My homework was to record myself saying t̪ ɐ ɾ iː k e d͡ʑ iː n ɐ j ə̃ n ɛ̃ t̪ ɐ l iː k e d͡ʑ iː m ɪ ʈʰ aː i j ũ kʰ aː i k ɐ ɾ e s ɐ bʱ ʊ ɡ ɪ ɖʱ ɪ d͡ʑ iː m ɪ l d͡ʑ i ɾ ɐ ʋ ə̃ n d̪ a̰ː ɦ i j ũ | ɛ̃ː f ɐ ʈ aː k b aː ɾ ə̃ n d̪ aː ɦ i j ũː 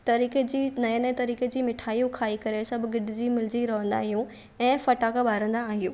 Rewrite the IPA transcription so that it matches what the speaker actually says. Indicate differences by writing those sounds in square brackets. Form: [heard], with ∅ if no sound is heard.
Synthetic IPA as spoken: t̪ ɐ ɾ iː k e d͡ʑ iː n ɐ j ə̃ n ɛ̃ t̪ ɐ [ɾ] iː k e d͡ʑ iː m ɪ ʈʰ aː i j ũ kʰ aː i k ɐ ɾ e s ɐ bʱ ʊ ɡ ɪ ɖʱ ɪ d͡ʑ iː m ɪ l d͡ʑ i ɾ ɐ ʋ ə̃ n d̪ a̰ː ɦ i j ũ | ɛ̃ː f ɐ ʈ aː k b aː ɾ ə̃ n d̪ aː ɦ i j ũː